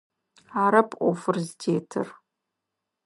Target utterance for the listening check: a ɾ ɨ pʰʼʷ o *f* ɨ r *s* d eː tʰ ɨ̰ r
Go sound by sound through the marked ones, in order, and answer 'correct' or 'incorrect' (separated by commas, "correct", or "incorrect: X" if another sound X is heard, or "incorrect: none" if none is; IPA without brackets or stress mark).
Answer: correct, incorrect: z